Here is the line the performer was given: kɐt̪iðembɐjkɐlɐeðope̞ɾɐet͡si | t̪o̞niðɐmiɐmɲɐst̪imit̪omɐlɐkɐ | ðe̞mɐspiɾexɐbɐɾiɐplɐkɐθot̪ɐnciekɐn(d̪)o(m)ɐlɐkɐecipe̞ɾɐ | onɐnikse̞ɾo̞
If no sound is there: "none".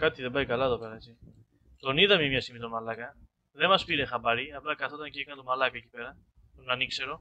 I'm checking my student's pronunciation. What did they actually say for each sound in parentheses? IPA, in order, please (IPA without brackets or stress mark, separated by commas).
t̪, m